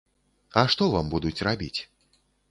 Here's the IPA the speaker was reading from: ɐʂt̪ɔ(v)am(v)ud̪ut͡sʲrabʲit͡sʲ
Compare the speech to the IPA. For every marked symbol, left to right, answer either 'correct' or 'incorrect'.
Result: correct, incorrect

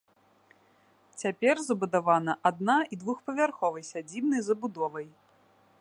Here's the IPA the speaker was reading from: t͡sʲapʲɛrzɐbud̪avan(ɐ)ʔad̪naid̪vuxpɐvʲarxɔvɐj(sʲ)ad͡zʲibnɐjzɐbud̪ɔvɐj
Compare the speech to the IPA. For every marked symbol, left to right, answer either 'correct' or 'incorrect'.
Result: correct, correct

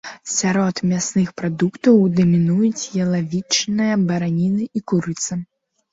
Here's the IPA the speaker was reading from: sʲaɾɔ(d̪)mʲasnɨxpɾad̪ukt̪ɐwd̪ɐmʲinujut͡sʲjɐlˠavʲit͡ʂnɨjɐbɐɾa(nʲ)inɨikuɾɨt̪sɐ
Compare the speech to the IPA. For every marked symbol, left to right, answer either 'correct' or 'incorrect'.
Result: incorrect, correct

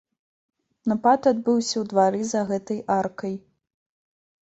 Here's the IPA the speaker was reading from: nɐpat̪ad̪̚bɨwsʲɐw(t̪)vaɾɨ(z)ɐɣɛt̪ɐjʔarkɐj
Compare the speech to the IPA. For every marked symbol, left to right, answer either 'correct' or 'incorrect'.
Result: incorrect, correct

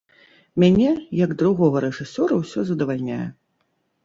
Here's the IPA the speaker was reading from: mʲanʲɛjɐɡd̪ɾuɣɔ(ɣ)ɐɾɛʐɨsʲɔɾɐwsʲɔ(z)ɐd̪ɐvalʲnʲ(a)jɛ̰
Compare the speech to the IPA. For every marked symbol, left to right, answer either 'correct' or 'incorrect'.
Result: correct, correct, correct

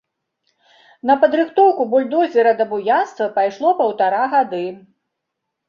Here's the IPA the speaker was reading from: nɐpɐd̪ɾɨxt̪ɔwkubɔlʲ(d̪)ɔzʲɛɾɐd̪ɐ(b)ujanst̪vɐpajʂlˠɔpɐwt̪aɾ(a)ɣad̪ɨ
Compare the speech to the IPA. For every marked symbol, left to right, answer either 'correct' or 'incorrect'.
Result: correct, correct, correct

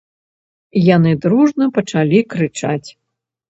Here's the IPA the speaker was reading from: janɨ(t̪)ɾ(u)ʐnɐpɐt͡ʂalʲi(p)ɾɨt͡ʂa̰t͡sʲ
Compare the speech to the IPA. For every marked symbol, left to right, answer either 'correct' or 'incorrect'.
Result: incorrect, correct, incorrect

